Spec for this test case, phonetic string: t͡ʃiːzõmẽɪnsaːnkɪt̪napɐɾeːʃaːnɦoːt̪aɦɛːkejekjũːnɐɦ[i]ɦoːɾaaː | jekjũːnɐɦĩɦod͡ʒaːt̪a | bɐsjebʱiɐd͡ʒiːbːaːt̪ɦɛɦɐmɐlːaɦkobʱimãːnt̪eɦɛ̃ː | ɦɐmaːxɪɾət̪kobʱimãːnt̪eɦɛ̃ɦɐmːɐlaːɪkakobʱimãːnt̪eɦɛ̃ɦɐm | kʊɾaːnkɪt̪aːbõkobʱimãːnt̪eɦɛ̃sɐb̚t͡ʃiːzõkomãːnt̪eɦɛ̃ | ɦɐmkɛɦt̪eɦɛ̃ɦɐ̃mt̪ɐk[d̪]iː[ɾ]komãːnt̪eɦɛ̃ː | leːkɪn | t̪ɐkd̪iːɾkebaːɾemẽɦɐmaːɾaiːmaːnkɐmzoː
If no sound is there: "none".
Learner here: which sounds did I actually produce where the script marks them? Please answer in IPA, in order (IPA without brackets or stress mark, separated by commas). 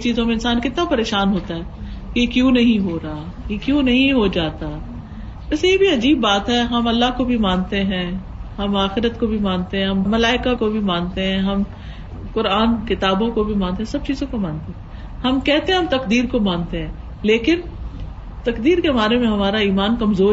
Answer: ĩ, d̪, ɾ